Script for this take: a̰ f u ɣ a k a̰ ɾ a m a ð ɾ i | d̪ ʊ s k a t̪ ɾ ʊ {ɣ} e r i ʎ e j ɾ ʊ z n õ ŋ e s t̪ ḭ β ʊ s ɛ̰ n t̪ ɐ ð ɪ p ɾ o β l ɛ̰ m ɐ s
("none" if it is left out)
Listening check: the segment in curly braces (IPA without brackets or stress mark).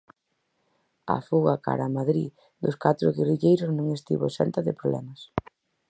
ɣ